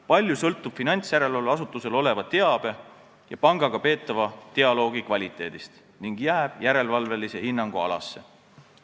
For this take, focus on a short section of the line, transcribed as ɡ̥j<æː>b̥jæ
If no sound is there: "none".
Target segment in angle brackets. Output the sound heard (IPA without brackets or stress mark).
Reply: æː